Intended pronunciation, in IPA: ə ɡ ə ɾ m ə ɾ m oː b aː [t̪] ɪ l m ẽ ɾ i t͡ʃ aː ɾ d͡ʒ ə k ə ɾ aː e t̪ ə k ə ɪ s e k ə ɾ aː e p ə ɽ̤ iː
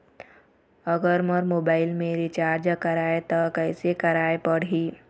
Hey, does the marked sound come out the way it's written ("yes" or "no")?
no